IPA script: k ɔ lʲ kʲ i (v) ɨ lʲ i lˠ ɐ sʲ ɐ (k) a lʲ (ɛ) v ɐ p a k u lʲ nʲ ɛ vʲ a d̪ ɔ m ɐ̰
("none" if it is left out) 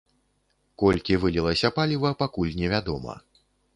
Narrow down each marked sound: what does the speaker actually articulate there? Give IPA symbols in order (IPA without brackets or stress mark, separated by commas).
v, p, i